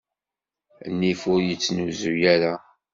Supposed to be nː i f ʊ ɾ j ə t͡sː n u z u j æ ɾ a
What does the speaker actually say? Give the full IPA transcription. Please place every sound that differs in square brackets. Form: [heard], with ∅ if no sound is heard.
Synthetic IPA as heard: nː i f ʊ ɾ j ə t͡sː n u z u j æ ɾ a